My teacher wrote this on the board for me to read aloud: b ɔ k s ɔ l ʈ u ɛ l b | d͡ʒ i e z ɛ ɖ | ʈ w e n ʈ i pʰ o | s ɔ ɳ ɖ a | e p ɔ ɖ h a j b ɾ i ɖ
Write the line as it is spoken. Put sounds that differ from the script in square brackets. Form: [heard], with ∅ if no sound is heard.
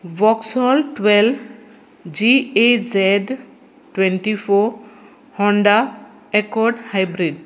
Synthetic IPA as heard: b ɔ k s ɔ l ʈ [w] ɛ l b | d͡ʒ i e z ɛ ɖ | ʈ w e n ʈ i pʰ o | [h] ɔ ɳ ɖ a | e [k] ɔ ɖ h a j b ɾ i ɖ